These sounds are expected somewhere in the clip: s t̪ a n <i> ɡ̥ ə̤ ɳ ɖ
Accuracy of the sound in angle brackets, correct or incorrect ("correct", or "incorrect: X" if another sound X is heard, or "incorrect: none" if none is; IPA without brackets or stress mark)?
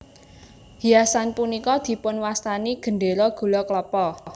correct